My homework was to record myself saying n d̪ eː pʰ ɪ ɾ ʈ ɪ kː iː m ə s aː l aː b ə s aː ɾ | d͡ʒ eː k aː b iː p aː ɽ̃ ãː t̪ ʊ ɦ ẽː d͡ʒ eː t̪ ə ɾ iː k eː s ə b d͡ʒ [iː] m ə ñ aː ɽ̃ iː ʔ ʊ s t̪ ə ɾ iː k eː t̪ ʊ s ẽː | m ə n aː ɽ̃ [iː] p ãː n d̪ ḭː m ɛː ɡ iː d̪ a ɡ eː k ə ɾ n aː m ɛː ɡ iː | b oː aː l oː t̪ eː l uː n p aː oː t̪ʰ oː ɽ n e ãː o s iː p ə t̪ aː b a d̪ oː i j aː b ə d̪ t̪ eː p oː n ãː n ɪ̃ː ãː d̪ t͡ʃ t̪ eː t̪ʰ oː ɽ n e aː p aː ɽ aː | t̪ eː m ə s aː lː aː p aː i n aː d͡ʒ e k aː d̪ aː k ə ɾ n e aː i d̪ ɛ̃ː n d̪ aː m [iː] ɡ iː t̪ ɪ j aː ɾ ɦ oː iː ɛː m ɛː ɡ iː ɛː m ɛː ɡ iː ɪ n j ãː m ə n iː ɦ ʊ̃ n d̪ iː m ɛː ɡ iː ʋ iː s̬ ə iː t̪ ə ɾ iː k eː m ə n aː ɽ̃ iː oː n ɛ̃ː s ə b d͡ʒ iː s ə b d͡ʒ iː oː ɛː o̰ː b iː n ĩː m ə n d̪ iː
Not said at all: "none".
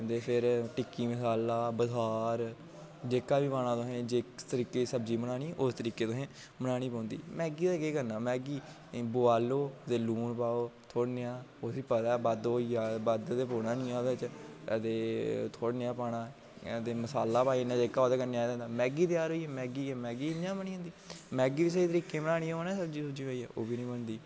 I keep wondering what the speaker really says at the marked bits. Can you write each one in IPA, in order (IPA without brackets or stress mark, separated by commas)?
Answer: iː, iː, ɛː